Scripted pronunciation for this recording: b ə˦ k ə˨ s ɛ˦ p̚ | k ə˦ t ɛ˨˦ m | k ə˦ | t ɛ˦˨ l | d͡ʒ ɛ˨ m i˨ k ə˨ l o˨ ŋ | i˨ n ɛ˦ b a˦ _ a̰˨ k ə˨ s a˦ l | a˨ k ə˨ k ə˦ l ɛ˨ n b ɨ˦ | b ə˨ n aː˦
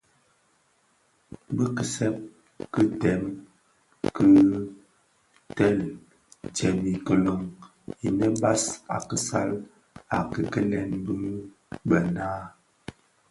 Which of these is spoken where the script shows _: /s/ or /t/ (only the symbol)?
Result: s